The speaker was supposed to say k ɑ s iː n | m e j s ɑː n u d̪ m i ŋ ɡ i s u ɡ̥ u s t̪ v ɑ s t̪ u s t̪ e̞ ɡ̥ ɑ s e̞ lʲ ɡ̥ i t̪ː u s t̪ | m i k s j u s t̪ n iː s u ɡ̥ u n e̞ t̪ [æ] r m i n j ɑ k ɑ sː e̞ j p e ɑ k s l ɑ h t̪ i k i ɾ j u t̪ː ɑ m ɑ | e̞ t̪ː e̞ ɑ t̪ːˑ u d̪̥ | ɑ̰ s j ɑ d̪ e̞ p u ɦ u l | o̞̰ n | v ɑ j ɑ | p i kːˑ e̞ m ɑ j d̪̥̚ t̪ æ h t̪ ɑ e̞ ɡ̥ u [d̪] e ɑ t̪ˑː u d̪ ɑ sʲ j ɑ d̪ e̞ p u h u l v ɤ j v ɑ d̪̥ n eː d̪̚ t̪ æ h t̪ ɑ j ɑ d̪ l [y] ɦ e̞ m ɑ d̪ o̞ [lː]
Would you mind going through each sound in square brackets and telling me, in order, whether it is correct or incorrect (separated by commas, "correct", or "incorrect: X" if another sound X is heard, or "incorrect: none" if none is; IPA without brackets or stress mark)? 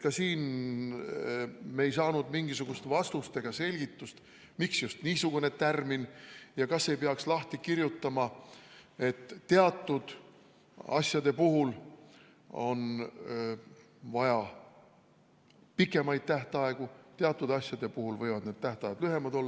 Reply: correct, incorrect: t̪, correct, correct